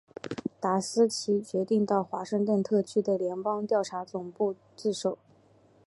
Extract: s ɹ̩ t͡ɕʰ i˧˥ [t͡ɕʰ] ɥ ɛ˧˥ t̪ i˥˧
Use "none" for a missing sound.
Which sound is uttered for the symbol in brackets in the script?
t͡ɕ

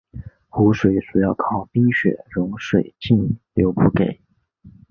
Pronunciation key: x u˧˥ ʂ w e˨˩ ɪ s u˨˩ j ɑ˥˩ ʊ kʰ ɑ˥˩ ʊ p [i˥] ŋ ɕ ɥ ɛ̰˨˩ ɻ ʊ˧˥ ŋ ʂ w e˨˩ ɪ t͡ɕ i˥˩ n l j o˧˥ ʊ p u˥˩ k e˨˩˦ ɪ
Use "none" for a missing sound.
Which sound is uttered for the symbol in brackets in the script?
i˥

